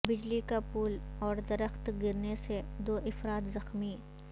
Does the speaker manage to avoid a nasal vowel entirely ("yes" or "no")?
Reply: yes